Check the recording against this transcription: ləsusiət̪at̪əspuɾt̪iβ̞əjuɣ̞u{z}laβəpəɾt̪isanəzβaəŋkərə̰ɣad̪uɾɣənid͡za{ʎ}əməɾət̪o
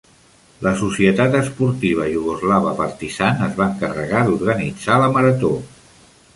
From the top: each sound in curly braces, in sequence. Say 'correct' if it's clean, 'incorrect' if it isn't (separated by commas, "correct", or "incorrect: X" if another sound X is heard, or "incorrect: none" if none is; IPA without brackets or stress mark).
correct, incorrect: l